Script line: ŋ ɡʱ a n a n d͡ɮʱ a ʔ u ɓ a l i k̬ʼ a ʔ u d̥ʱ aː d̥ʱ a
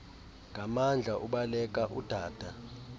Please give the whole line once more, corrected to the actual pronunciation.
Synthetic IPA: ŋ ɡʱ a m a n d͡ɮʱ a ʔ u ɓ a l ɛ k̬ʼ a ʔ u d̥ʱ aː d̥ʱ a